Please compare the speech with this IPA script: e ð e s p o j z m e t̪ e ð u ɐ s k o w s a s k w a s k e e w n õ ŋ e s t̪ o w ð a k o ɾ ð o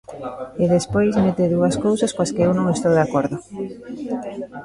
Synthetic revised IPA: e ð e s p o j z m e t̪ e ð u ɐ s k o w s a s k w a s k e e w n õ ŋ e s t̪ o w ð a k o ɾ ð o